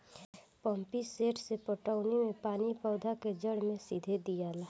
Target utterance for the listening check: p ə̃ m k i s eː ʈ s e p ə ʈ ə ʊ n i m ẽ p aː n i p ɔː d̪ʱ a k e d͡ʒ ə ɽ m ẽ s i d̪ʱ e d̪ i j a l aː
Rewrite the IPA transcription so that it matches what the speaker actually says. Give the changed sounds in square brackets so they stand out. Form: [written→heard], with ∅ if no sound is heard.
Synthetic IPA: p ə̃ m [k→p] i s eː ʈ s e p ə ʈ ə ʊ n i m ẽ p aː n i p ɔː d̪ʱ a k e d͡ʒ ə ɽ m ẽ s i d̪ʱ e d̪ i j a l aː